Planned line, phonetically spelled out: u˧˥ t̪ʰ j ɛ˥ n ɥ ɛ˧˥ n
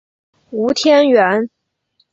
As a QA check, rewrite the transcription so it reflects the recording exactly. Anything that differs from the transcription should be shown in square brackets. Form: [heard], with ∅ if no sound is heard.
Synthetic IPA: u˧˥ t̪ʰ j ɛ˥ n ɥ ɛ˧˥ n